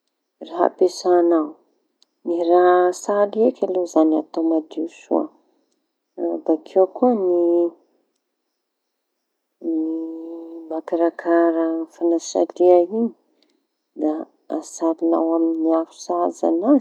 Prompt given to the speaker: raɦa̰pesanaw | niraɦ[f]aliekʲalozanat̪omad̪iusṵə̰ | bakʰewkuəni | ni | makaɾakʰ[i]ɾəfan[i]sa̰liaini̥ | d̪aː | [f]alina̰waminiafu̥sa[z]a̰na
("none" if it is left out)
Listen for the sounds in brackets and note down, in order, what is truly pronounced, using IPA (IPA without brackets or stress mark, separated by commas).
s, a, a, s, z